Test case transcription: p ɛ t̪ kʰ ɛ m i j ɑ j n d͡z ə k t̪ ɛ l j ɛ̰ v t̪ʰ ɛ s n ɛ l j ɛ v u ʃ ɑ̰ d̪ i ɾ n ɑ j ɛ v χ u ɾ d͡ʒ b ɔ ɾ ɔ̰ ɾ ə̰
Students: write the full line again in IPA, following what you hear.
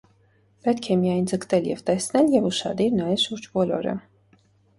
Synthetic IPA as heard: p ɛ t̪ kʰ ɛ m i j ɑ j n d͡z ə k t̪ ɛ l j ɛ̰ v t̪ ɛ s n ɛ l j ɛ v u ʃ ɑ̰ d̪ i ɾ n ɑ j ɛ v ʃ u ɾ d͡ʒ b ɔ l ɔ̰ ɾ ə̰